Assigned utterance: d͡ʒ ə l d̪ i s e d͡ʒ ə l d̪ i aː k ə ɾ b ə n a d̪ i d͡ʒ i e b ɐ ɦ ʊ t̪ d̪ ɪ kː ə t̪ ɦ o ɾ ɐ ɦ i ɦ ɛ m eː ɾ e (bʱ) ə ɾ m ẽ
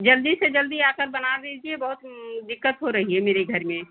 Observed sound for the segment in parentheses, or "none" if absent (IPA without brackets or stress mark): ɡʱ